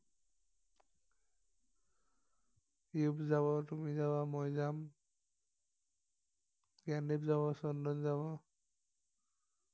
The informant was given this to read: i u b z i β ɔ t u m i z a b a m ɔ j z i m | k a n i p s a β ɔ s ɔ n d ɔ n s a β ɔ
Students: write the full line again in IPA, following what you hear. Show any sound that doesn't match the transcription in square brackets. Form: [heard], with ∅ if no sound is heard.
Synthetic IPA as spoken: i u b z [a] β ɔ t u m i z a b a m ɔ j z [a] m | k a n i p [z] a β ɔ s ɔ n d ɔ n [z] a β ɔ